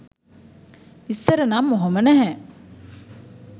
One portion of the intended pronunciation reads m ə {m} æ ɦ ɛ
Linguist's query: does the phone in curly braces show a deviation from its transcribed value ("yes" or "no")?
yes